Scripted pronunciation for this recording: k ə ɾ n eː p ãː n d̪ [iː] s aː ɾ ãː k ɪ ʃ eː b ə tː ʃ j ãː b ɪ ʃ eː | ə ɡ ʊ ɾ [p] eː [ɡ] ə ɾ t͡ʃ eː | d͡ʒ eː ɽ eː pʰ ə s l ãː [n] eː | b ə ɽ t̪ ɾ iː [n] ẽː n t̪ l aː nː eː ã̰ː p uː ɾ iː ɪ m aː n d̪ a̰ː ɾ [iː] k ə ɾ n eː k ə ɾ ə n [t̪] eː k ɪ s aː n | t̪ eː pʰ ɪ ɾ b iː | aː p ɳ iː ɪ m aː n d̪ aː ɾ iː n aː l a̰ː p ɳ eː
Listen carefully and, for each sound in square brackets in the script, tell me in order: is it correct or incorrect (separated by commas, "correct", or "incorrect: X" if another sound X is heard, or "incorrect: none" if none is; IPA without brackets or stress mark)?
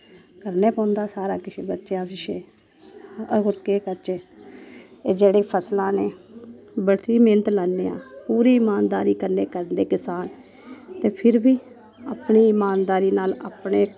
incorrect: aː, incorrect: k, incorrect: k, correct, incorrect: m, correct, incorrect: d̪